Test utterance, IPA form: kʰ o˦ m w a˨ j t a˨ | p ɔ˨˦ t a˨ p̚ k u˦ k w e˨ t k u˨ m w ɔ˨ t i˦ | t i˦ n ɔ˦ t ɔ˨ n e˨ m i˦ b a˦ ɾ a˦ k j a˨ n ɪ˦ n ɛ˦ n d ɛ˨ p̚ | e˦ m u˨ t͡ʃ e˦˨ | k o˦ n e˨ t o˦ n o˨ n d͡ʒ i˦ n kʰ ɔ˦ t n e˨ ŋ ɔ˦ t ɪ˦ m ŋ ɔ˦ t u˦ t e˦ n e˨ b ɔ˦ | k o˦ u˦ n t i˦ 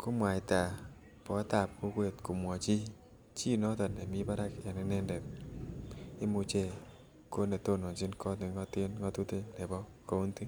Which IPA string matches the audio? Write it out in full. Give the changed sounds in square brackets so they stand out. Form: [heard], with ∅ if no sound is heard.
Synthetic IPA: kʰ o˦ m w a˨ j t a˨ | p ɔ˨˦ t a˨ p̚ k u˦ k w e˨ t k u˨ m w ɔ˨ [t͡ʃ] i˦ | [t͡ʃ] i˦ n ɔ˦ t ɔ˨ n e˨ m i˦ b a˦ ɾ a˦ k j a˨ n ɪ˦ n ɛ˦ n d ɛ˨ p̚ | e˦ m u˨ t͡ʃ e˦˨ | k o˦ n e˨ t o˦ n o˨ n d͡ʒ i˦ n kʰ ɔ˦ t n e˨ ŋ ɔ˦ t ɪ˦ [n] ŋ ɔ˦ t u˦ t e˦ n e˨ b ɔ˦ | k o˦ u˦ n t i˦